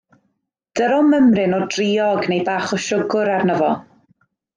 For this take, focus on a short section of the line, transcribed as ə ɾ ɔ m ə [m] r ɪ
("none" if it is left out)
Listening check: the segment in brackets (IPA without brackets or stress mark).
m